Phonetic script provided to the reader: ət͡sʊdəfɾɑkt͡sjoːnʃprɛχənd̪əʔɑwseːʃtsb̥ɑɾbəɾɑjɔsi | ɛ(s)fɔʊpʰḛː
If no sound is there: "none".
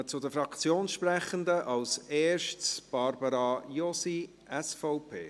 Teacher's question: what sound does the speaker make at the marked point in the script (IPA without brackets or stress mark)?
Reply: s